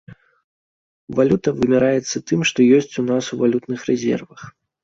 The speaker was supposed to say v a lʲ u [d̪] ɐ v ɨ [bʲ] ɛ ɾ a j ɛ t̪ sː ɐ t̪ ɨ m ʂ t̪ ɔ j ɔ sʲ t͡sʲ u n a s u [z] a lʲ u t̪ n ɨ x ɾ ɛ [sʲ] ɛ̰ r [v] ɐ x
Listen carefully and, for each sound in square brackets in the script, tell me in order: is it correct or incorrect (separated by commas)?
incorrect, incorrect, incorrect, incorrect, correct